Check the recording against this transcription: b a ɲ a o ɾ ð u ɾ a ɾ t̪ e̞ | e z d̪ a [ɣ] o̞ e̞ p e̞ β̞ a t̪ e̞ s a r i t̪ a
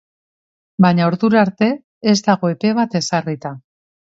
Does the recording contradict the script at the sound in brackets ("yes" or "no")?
no